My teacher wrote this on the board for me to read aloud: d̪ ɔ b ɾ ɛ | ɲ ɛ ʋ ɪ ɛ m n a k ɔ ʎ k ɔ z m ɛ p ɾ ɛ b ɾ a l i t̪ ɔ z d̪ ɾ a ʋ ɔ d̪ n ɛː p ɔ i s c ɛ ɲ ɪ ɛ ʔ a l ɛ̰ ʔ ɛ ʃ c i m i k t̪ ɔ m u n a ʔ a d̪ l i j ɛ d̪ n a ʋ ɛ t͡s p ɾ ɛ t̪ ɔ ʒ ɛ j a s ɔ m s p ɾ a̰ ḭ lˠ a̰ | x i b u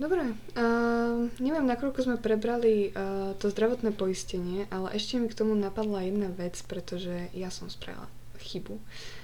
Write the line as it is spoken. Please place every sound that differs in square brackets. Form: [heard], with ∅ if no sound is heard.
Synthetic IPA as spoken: d̪ ɔ b ɾ ɛ | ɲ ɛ ʋ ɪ ɛ m n a k ɔ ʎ k ɔ z m ɛ p ɾ ɛ b ɾ a l i t̪ ɔ z d̪ ɾ a ʋ ɔ [t̪] n ɛː p ɔ i s c ɛ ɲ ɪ ɛ ʔ a l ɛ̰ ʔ ɛ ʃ c [ɛ] m i k t̪ ɔ m u n a [p] a d̪ l [a] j ɛ d̪ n a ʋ ɛ t͡s p ɾ ɛ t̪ ɔ ʒ ɛ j a s ɔ m s p ɾ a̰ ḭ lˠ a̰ | x i b u